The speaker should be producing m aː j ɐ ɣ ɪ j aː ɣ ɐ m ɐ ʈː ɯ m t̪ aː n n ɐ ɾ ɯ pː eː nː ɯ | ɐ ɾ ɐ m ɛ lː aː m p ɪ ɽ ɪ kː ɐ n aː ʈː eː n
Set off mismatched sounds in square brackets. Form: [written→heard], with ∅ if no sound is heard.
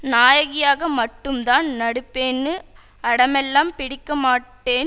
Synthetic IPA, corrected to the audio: [m→n] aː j ɐ ɣ ɪ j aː ɣ ɐ m ɐ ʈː ɯ m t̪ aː n n ɐ [ɾ→ɽ] ɯ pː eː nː ɯ | ɐ [ɾ→ɽ] ɐ m ɛ lː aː m p ɪ ɽ ɪ kː ɐ [n→m] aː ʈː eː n